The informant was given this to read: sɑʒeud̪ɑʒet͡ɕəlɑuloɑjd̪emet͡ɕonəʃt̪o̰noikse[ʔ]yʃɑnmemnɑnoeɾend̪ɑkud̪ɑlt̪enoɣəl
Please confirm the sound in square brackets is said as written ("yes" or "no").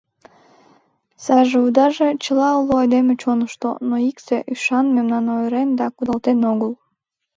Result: yes